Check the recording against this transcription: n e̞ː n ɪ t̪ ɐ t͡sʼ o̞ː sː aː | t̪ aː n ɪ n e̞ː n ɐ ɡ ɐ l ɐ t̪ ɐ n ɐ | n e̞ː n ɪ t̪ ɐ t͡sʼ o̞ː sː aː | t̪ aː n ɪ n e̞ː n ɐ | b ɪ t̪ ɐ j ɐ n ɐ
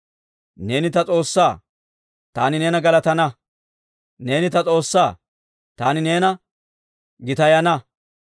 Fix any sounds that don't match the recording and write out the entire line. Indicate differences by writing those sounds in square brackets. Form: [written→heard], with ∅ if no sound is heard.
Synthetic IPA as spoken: n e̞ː n ɪ t̪ ɐ t͡sʼ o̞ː sː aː | t̪ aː n ɪ n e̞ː n ɐ ɡ ɐ l ɐ t̪ ɐ n ɐ | n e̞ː n ɪ t̪ ɐ t͡sʼ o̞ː sː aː | t̪ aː n ɪ n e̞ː n ɐ | [b→ɡ] ɪ t̪ ɐ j ɐ n ɐ